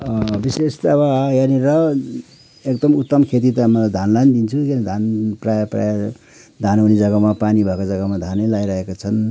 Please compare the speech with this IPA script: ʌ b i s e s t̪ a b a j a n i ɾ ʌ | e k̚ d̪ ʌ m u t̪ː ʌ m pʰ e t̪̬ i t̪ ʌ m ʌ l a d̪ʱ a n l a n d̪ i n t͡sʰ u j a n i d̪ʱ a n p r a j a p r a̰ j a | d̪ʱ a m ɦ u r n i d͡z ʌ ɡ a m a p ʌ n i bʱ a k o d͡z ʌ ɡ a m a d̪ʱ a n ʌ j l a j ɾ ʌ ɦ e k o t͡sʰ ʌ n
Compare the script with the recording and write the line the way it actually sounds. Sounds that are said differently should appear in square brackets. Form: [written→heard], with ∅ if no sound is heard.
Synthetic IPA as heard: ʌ b i s e s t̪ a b a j a n i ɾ ʌ | e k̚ d̪ ʌ m u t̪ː ʌ m [pʰ→kʰ] e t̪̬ i t̪ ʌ m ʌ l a d̪ʱ a n l a n d̪ i n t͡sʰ u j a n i d̪ʱ a n p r a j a p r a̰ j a | d̪ʱ a [m→n] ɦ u [r→∅] n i d͡z ʌ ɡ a m a p [ʌ→a] n i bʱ a k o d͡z ʌ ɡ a m a d̪ʱ a n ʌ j l a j ɾ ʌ ɦ e k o t͡sʰ ʌ n